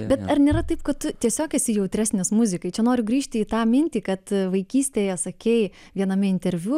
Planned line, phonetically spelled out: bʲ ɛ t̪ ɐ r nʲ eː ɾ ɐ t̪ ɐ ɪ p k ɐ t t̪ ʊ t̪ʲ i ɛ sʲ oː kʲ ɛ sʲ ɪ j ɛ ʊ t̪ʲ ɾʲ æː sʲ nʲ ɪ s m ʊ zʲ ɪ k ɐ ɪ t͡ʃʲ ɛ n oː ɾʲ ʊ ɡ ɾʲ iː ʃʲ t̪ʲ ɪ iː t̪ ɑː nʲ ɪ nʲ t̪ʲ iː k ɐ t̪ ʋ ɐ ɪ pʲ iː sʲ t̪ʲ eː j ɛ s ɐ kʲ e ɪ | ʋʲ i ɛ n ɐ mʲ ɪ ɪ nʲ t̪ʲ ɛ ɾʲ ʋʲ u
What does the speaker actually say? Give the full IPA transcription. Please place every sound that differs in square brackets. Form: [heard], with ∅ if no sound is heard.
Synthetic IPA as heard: bʲ ɛ t̪ ɐ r nʲ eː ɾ ɐ t̪ ɐ ɪ p k ɐ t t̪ ʊ t̪ʲ i ɛ sʲ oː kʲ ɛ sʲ ɪ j ɛ ʊ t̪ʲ ɾʲ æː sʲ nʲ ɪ s m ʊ zʲ ɪ k ɐ ɪ t͡ʃʲ ɛ n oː ɾʲ ʊ ɡ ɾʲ iː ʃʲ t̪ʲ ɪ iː t̪ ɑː [mʲ] ɪ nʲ t̪ʲ iː k ɐ t̪ ʋ ɐ ɪ [kʲ] iː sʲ t̪ʲ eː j ɛ s ɐ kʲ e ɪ | ʋʲ i ɛ n ɐ mʲ ɪ ɪ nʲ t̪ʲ ɛ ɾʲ ʋʲ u